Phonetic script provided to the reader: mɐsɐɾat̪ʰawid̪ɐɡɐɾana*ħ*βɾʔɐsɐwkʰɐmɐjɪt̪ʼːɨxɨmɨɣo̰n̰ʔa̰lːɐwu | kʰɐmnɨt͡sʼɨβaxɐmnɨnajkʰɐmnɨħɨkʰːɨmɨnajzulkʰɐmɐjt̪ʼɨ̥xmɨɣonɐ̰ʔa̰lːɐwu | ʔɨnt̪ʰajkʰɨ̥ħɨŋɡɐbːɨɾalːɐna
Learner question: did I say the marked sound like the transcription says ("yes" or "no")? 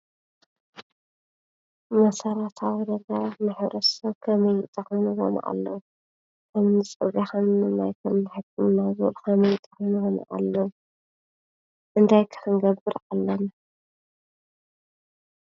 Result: yes